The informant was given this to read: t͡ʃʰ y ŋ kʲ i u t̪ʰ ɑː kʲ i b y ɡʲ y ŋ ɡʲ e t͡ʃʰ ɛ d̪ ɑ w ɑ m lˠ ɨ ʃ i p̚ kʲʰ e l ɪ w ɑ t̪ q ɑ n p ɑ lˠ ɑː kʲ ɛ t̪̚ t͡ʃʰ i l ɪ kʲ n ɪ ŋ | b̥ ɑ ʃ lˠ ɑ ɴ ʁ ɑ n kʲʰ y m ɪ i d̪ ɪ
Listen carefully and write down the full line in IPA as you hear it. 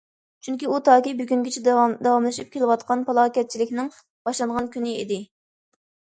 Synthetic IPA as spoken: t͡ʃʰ y ŋ kʲ i u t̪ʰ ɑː kʲ i b y ɡʲ y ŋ ɡʲ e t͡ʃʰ ɛ d̪ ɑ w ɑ m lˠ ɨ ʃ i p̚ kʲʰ e l ɪ w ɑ t̪ q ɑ n p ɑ lˠ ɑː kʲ ɛ t̪̚ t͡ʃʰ i l ɪ kʲ n ɪ ŋ | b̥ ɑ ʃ lˠ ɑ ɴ ʁ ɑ n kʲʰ y n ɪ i d̪ ɪ